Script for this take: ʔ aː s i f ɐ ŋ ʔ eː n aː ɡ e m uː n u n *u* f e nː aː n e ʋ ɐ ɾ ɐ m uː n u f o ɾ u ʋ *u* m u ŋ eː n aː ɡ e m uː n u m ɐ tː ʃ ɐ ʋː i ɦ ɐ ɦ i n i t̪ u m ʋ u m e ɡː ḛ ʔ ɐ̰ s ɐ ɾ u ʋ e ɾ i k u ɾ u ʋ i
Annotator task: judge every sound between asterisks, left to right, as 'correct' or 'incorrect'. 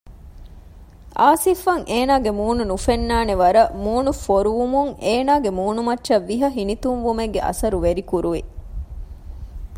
correct, correct

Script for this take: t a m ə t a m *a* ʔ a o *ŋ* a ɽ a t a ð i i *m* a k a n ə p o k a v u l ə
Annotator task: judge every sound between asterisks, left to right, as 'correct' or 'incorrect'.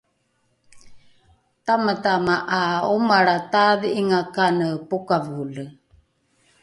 correct, incorrect, incorrect

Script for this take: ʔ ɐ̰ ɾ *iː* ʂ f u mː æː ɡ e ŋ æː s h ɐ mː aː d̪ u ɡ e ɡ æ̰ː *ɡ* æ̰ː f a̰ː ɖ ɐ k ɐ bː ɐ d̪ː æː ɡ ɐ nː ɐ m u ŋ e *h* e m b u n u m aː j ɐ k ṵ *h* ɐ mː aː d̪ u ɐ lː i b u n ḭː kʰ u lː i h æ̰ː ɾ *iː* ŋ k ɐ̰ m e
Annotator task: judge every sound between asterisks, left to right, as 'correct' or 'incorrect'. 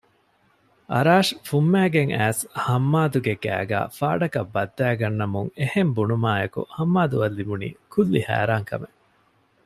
incorrect, correct, correct, correct, incorrect

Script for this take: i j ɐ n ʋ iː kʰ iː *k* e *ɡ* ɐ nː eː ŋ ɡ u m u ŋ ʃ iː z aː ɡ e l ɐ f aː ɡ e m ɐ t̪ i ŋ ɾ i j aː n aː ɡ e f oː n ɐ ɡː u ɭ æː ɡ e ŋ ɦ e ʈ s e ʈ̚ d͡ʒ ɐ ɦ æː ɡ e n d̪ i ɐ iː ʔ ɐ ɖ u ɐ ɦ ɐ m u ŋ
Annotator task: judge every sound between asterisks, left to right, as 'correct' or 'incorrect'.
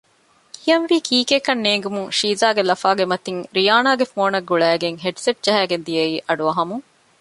correct, incorrect

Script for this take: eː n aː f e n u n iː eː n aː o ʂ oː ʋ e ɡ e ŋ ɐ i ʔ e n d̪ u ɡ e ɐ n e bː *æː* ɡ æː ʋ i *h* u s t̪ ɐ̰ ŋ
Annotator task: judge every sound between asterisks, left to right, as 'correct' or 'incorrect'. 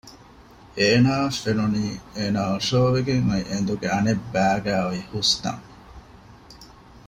correct, correct

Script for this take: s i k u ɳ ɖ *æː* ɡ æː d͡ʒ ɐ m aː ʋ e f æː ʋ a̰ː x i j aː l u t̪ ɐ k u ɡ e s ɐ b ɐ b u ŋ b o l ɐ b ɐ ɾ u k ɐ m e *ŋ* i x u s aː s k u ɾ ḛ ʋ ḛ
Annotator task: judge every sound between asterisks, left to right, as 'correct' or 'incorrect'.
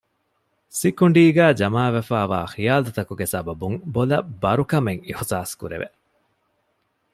incorrect, correct

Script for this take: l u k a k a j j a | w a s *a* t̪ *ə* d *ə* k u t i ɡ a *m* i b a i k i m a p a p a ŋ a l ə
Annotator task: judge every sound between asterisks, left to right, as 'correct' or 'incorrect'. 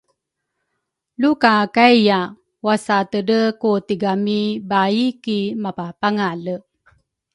correct, correct, correct, correct

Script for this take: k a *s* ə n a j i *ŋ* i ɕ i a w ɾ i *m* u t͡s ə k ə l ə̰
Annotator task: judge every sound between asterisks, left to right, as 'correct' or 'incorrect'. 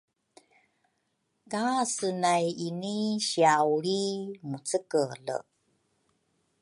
correct, incorrect, correct

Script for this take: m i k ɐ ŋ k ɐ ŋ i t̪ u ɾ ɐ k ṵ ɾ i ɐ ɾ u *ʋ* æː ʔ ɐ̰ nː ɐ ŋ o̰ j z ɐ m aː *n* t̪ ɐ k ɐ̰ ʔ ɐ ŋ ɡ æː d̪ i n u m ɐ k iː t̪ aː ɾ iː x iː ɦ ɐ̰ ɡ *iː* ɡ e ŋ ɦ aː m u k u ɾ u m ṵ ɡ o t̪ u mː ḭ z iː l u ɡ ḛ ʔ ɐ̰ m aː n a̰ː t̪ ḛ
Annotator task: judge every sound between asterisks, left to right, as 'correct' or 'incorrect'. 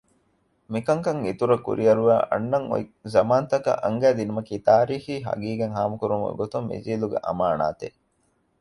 correct, correct, correct

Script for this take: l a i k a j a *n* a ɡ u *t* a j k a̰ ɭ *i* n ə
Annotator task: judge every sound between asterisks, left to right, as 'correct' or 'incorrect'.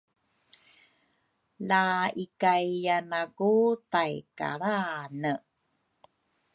correct, correct, incorrect

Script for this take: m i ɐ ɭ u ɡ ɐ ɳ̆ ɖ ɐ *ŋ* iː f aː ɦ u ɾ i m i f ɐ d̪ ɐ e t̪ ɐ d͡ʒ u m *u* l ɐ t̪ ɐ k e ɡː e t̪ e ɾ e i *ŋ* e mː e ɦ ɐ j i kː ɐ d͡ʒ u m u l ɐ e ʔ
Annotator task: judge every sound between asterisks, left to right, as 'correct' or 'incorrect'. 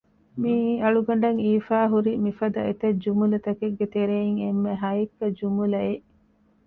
correct, correct, correct

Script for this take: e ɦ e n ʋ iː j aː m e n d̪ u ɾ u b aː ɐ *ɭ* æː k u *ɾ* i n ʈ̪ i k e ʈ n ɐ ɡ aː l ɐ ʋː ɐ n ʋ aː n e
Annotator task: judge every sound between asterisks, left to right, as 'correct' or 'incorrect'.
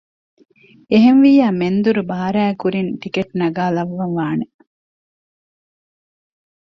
incorrect, correct

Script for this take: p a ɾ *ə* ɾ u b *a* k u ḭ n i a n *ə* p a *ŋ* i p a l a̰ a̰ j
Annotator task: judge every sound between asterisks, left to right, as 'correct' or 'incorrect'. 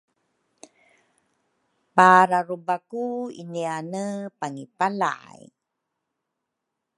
incorrect, correct, correct, correct

